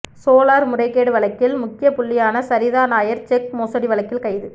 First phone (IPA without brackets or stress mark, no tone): s